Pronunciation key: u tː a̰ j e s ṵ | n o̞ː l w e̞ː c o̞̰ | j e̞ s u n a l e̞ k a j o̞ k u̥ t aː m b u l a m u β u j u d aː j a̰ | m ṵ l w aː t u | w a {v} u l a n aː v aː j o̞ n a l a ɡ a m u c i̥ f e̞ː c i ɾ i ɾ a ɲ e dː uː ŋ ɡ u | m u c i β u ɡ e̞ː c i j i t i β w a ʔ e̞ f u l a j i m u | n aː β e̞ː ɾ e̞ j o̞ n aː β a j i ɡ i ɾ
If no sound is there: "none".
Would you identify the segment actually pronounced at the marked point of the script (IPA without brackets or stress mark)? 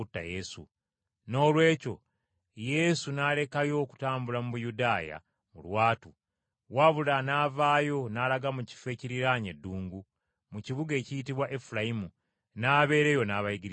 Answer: β